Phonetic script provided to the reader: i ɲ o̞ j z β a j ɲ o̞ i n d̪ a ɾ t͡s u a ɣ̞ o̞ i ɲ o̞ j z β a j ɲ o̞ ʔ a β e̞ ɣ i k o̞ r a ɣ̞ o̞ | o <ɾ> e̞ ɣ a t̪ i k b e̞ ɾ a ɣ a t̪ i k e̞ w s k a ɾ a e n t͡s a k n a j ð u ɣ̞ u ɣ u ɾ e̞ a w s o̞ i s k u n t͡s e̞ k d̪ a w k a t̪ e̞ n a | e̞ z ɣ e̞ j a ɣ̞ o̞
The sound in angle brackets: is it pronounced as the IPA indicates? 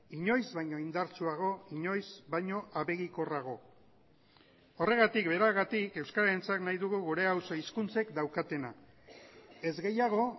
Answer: no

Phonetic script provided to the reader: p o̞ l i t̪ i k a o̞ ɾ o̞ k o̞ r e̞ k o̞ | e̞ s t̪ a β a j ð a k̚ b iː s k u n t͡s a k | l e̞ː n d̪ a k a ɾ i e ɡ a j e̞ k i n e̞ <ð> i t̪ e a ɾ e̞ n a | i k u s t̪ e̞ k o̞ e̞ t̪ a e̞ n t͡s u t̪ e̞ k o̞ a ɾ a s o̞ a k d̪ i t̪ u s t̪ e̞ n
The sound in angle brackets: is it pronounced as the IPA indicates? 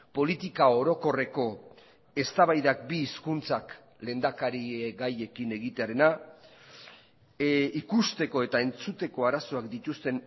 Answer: no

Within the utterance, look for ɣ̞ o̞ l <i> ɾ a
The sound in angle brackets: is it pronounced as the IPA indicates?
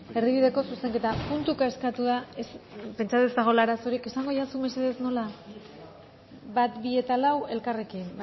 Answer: no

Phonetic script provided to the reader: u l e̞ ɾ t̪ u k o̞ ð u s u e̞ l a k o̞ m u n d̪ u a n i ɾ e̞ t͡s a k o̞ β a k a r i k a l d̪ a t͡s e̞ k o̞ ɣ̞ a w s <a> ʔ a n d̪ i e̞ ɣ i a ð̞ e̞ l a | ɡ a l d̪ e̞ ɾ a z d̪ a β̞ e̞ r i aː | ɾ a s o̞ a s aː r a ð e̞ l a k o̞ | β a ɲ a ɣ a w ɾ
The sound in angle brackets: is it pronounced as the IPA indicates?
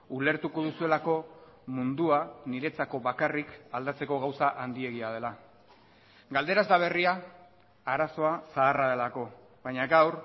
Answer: yes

